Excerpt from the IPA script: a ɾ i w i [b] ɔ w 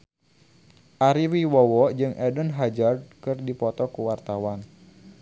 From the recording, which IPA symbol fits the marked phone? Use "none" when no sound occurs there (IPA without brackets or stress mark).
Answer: w